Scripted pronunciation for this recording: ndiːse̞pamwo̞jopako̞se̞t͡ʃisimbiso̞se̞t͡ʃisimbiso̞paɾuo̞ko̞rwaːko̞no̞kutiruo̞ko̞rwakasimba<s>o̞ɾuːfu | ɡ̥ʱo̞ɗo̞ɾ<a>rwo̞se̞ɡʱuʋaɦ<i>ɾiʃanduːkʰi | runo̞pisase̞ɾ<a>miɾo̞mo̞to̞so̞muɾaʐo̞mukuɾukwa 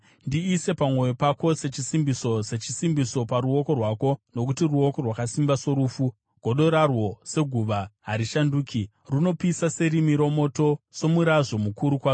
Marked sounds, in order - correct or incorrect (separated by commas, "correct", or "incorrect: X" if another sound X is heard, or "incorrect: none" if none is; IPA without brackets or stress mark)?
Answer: correct, correct, incorrect: a, incorrect: i